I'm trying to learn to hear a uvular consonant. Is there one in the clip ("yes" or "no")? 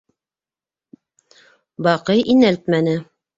yes